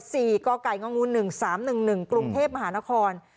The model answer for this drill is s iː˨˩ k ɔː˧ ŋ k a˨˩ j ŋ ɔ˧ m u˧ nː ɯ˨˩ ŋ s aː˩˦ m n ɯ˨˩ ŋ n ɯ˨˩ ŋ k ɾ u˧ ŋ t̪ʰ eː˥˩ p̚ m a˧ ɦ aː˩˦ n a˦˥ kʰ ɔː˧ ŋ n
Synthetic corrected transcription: s iː˨˩ k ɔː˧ k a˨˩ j ŋ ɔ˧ ŋ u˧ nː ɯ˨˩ ŋ s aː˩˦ m n ɯ˨˩ ŋ n ɯ˨˩ ŋ k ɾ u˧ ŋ t̪ʰ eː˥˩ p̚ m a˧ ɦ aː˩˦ n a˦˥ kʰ ɔː˧ n